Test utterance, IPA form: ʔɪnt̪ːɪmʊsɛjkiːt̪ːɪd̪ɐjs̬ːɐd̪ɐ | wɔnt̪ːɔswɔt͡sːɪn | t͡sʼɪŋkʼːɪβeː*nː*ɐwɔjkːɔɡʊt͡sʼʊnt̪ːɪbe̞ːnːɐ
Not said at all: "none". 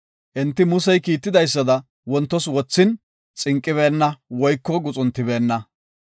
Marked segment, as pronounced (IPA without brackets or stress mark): nː